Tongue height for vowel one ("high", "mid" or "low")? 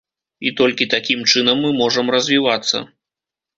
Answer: high